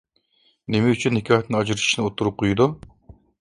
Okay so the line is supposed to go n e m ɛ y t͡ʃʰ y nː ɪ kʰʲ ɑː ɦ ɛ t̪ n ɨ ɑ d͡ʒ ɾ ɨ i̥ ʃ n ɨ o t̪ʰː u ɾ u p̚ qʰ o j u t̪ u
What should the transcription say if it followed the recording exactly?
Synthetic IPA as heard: n e m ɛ y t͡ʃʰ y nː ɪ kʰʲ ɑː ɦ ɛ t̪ n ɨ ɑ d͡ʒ ɾ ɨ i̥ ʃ n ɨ o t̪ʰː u ɾ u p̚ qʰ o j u d̪ u